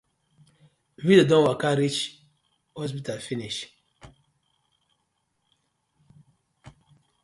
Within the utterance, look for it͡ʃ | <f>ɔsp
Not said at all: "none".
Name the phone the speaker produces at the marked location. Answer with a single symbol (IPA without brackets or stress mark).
h